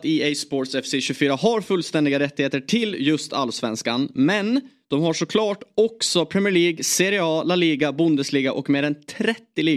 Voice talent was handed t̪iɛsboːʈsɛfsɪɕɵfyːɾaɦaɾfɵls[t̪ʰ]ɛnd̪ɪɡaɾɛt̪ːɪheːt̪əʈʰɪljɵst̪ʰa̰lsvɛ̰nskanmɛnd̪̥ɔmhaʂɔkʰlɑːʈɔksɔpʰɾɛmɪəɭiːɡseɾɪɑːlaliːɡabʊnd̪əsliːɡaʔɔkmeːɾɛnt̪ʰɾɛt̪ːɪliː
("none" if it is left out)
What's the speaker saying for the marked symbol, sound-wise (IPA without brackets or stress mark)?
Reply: t̪